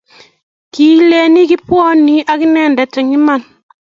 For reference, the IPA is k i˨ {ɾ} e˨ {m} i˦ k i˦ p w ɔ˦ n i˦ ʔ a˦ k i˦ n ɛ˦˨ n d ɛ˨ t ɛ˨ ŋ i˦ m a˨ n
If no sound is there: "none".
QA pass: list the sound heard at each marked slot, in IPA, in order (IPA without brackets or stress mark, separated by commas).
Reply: l, n